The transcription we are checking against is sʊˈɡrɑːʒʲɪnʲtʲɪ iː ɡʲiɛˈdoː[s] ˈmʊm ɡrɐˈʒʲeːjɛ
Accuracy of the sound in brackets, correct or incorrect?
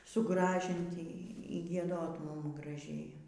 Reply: incorrect